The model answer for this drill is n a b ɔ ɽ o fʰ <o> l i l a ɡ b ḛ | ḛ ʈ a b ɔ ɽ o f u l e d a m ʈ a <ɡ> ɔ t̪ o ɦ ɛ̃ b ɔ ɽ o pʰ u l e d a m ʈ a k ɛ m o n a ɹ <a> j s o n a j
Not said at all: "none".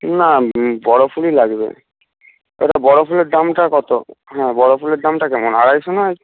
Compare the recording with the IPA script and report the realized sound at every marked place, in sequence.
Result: u, k, a

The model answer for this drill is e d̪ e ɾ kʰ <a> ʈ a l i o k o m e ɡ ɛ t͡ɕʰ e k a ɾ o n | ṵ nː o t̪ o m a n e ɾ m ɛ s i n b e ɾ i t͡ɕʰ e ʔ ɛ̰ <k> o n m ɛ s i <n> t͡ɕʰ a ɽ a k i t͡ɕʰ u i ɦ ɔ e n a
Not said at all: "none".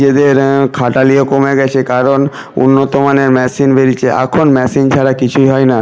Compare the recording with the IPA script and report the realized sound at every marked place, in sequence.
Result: a, kʰ, n

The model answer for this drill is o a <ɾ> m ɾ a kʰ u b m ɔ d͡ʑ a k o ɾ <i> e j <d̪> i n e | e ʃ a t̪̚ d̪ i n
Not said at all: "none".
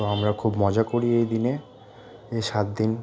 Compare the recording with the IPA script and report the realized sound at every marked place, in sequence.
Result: none, i, d̪

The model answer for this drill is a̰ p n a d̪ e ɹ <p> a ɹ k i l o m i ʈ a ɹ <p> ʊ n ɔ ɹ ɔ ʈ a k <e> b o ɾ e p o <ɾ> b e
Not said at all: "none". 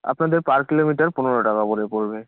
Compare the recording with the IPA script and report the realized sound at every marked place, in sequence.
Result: p, p, a, ɹ

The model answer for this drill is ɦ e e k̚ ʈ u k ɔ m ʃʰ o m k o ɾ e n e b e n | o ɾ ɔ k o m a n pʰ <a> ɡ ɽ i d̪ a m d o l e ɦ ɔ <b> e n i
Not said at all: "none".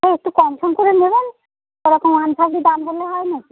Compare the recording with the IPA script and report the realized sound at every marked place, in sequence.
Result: a, none

